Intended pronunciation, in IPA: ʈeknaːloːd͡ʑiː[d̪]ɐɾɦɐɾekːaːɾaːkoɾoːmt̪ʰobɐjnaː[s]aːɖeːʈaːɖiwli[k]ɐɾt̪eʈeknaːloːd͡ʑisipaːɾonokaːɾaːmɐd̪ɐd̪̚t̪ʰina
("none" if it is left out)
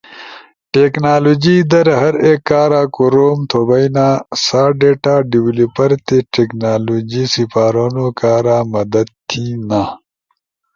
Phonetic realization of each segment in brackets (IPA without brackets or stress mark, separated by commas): d̪, s, p